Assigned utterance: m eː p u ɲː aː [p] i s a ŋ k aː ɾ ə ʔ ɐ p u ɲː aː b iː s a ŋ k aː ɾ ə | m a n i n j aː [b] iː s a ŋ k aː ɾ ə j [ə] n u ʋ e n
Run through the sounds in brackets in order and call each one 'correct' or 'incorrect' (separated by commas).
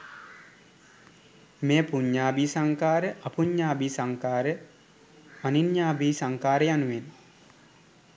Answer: incorrect, correct, incorrect